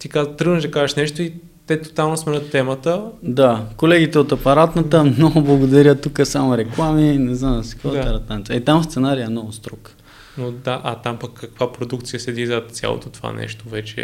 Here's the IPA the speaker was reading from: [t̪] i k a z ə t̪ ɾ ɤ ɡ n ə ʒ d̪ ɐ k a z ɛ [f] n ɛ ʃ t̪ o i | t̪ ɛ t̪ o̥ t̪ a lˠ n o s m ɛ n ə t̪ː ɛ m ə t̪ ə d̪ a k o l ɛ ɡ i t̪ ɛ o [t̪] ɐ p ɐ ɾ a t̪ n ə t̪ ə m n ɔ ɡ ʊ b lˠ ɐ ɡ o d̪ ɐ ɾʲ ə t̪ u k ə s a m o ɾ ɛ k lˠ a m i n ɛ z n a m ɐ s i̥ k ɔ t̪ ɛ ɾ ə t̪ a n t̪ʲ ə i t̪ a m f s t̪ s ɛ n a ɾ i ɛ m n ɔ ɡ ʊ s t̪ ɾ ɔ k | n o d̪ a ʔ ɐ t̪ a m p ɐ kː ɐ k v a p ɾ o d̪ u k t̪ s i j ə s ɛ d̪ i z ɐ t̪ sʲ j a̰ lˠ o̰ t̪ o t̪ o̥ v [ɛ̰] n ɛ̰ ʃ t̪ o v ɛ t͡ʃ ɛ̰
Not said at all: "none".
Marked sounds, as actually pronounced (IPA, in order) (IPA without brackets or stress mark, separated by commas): t̪, ʃ, t̪, a̰